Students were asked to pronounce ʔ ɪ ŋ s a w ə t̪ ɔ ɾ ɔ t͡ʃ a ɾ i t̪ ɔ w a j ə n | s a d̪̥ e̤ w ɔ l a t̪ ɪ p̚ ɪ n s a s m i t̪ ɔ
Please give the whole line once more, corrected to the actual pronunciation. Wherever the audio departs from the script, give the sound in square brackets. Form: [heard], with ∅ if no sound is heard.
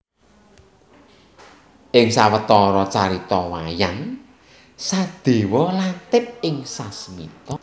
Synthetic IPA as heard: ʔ ɪ ŋ s a w ə t̪ ɔ ɾ ɔ t͡ʃ a ɾ i t̪ ɔ w a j [a] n | s a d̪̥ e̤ w ɔ l a t̪ ɪ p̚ ɪ [ŋ] s a s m i t̪ ɔ